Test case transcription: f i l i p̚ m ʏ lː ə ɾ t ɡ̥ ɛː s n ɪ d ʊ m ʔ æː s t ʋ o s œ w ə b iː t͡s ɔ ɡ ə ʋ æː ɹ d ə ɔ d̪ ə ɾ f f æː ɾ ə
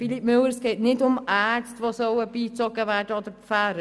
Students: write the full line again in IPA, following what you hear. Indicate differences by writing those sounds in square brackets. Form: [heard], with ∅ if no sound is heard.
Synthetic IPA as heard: f i l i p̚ m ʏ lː ə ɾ [s] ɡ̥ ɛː [t] n ɪ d ʊ m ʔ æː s t ʋ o s œ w ə b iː t͡s ɔ ɡ ə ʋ æː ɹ d ə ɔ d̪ ə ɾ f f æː ɾ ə